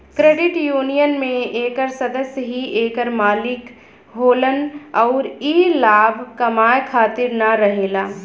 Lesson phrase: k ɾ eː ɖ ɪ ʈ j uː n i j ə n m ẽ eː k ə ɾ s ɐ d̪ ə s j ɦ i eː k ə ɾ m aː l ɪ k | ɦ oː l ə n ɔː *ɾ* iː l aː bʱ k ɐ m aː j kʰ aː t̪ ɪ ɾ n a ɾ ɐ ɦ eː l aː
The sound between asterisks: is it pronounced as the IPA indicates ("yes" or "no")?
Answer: yes